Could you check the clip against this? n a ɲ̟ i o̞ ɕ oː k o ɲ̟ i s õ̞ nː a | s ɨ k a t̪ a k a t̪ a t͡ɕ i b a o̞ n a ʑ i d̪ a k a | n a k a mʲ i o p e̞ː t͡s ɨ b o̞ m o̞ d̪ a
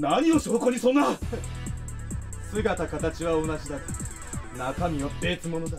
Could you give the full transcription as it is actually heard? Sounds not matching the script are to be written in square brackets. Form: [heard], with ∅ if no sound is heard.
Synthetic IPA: n a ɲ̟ i o̞ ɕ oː k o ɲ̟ i s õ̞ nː a | s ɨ [ɡ] a t̪ a k a t̪ a t͡ɕ i [β] a o̞ n a ʑ i d̪ a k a | n a k a mʲ i o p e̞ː t͡s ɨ [m] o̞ [n] o̞ d̪ a

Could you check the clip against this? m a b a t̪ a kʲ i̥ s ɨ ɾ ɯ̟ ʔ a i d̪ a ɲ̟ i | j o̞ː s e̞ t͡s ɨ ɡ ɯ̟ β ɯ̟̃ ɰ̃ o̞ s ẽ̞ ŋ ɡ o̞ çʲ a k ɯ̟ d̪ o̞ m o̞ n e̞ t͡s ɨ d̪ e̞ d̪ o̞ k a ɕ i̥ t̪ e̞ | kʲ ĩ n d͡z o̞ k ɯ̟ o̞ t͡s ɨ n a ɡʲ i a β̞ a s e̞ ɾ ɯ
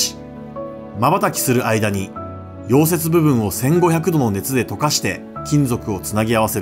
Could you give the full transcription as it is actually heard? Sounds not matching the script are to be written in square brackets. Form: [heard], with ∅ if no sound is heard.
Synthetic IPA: m a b a t̪ a kʲ i̥ s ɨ ɾ ɯ̟ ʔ a i d̪ a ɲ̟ i | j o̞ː s e̞ t͡s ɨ [b] ɯ̟ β ɯ̟̃ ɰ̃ o̞ s ẽ̞ ŋ ɡ o̞ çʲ a k ɯ̟ d̪ o̞ [n] o̞ n e̞ t͡s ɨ d̪ e̞ [t̪] o̞ k a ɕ i̥ t̪ e̞ | kʲ ĩ n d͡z o̞ k ɯ̟ o̞ t͡s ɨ n a ɡʲ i a β̞ a s e̞ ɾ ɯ

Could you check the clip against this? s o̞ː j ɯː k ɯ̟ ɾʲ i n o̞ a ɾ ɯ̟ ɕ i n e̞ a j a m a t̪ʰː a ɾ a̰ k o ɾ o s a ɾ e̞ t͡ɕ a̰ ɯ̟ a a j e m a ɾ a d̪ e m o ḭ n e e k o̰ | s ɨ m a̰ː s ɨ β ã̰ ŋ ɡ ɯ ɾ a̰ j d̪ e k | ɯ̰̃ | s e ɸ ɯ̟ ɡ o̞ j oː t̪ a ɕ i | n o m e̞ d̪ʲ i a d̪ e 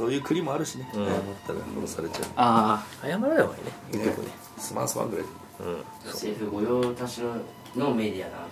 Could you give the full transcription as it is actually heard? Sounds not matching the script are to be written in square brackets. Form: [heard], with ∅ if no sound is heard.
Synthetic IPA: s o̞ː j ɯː k ɯ̟ ɾʲ i [m] o̞ a ɾ ɯ̟ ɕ i n e̞ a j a m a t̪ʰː a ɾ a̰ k o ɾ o s a ɾ e̞ t͡ɕ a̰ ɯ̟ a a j [a] m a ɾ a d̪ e m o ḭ n e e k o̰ | s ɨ m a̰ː s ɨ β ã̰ ŋ ɡ ɯ ɾ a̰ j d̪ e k | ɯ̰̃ | s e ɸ ɯ̟ ɡ o̞ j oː t̪ a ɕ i | n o m e̞ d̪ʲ i a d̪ [a]

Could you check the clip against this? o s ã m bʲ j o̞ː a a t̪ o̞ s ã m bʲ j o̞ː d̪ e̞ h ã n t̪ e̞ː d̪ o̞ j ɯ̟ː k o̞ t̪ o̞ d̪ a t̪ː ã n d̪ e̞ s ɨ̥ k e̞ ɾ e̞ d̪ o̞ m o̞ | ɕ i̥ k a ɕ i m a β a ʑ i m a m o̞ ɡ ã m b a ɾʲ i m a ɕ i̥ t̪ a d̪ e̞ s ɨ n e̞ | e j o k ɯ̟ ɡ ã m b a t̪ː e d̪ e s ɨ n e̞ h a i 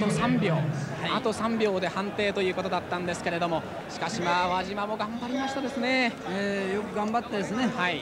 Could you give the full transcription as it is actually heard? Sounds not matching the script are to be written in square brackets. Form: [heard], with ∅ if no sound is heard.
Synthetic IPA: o s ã m bʲ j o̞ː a a t̪ o̞ s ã m bʲ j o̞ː d̪ e̞ h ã n t̪ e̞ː [t̪] o̞ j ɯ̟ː k o̞ t̪ o̞ d̪ a t̪ː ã n d̪ e̞ s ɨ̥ k e̞ ɾ e̞ d̪ o̞ m o̞ | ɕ i̥ k a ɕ i m a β a ʑ i m a m o̞ ɡ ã m b a ɾʲ i m a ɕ i̥ t̪ a d̪ e̞ s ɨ n e̞ | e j o k ɯ̟ ɡ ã m b a t̪ː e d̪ e s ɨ n e̞ h a i

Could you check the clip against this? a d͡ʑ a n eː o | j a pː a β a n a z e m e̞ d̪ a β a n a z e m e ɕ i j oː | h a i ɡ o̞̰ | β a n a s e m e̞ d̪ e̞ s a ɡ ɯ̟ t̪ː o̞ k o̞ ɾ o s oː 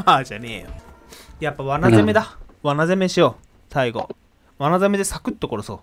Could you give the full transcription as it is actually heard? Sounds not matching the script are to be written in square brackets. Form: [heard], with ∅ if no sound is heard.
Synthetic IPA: a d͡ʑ a n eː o | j a pː a β a n a z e m e̞ d̪ a β a n a z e m e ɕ i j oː | [s] a i ɡ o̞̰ | β a n a [z] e m e̞ d̪ e̞ s a [k] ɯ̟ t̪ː o̞ k o̞ ɾ o s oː

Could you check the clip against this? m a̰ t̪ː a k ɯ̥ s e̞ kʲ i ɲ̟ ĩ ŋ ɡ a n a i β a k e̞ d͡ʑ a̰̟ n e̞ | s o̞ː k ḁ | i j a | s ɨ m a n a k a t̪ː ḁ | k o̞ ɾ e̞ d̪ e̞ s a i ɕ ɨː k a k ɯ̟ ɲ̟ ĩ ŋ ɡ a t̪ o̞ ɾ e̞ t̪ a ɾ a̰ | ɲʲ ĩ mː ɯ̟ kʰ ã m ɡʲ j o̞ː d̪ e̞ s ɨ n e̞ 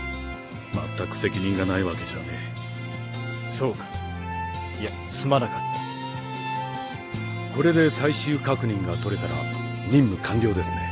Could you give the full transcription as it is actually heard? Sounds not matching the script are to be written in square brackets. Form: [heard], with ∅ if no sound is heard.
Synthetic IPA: m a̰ t̪ː a k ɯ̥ s e̞ kʲ i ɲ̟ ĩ ŋ ɡ a n a i β a k e̞ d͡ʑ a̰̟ n e̞ | s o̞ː k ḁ | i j a | s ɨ m a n a k a t̪ː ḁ | k o̞ ɾ e̞ d̪ e̞ s a i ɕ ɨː k a k ɯ̟ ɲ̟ ĩ ŋ ɡ a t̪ o̞ ɾ e̞ t̪ a ɾ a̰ | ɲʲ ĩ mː ɯ̟ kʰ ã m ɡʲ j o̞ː d̪ e̞ s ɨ n e̞

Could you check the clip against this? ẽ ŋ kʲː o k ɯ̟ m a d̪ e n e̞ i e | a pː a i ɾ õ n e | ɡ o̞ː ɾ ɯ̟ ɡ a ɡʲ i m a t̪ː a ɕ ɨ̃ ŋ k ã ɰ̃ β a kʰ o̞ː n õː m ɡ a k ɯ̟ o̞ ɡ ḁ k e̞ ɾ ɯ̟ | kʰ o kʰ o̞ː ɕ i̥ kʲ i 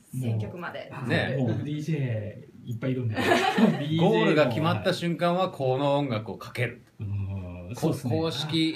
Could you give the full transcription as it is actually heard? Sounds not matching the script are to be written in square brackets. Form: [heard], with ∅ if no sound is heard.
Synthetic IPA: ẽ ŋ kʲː o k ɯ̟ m a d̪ e n e̞ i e | [i] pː a i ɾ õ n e | ɡ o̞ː ɾ ɯ̟ ɡ a [kʲ] i m a t̪ː a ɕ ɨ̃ ŋ k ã ɰ̃ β a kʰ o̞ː n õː [ŋ] ɡ a k ɯ̟ o̞ [k] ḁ k e̞ ɾ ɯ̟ | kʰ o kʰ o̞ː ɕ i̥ kʲ i

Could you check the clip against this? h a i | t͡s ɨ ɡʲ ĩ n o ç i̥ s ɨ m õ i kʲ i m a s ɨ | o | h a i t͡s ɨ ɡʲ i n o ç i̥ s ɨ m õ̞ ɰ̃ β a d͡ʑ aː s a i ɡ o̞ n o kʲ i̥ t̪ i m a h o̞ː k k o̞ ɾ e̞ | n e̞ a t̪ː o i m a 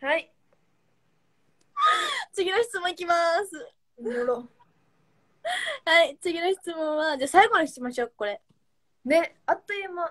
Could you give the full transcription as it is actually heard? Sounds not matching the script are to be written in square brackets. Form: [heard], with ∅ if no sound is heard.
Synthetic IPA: h a i | t͡s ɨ ɡʲ [i] n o ç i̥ [t͡s] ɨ m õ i kʲ i m a s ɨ | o | h a i t͡s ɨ ɡʲ i n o ç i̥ [t͡s] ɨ m õ̞ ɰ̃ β a d͡ʑ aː s a i ɡ o̞ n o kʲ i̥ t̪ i m a [ɕ] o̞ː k k o̞ ɾ e̞ | n e̞ a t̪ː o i m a

